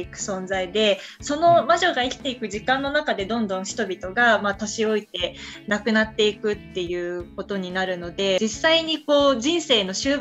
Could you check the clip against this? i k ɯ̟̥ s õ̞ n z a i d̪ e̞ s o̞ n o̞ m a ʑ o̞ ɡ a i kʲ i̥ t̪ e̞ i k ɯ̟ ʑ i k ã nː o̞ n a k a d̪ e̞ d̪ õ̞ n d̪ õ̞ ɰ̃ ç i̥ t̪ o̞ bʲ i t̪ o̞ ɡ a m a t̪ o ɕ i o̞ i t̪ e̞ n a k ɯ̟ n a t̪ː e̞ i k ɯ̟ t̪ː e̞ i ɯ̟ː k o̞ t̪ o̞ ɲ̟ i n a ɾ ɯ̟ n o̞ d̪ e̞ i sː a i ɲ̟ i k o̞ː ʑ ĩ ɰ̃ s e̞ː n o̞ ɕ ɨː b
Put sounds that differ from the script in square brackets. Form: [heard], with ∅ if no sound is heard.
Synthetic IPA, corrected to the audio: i k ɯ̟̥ s õ̞ n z a i d̪ e̞ s o̞ n o̞ m a ʑ o̞ ɡ a i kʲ i̥ t̪ e̞ i k ɯ̟ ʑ i k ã nː o̞ n a k a d̪ e̞ d̪ õ̞ n d̪ õ̞ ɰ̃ ç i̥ t̪ o̞ bʲ i t̪ o̞ ɡ a m a t̪ o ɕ i o̞ i t̪ e̞ n a k ɯ̟ n a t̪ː e̞ i k ɯ̟ t̪ː e̞ [j] ɯ̟ː k o̞ t̪ o̞ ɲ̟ i n a ɾ ɯ̟ n o̞ d̪ e̞ i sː a i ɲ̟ i k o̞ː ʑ ĩ ɰ̃ s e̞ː n o̞ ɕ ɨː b